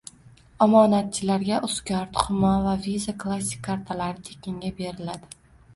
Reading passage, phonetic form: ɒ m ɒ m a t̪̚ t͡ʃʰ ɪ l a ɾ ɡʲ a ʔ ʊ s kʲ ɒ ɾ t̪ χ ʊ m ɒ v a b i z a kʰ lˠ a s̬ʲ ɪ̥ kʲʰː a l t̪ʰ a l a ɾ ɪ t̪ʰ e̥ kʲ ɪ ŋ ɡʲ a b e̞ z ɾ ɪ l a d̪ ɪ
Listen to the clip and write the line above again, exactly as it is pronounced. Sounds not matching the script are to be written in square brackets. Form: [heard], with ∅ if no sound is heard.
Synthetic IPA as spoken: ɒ m ɒ [n] a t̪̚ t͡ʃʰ ɪ l a ɾ ɡʲ a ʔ ʊ s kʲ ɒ ɾ t̪ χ ʊ m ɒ v a [v] i z a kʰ lˠ a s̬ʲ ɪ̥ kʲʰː a [ɾ] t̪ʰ a l a ɾ ɪ t̪ʰ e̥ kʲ ɪ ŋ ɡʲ a b e̞ [∅] ɾ ɪ l a d̪ ɪ